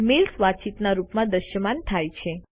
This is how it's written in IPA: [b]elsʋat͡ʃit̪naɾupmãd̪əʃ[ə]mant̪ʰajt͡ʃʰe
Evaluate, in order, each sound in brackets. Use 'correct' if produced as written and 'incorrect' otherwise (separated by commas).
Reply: incorrect, correct